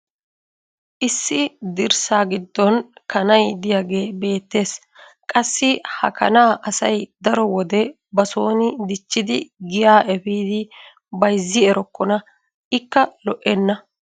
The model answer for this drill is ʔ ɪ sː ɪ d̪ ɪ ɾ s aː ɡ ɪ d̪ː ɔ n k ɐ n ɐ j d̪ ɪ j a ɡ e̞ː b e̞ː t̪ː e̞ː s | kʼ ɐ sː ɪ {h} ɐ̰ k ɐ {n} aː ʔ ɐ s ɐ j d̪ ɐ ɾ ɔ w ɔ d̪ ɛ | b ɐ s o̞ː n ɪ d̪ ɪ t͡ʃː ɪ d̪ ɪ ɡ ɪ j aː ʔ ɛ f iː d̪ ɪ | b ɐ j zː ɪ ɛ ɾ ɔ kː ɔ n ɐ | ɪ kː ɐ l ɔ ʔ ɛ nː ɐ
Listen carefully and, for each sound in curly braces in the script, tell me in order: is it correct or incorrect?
correct, correct

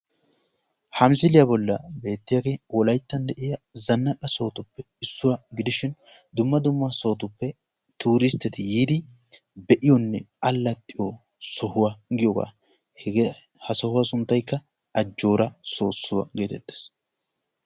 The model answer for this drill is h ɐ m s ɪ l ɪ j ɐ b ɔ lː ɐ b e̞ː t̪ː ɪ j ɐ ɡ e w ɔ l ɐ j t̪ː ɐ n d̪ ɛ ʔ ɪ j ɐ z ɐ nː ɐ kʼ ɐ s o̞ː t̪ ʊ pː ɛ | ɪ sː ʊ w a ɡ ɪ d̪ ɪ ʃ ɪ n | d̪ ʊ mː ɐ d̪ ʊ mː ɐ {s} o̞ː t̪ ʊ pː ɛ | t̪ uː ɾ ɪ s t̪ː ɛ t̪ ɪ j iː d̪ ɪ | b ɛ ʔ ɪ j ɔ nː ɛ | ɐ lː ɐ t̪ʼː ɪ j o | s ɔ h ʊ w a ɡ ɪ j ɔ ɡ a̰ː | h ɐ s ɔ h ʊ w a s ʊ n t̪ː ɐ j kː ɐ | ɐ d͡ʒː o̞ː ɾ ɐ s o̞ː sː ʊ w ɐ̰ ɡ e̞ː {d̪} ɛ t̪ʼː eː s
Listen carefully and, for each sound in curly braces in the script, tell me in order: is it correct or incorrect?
correct, incorrect

